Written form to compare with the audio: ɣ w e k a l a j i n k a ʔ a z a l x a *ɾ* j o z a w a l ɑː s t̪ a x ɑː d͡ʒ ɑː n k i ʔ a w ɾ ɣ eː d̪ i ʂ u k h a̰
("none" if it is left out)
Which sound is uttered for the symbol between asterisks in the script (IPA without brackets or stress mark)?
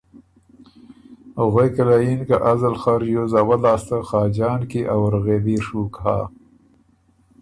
ɾ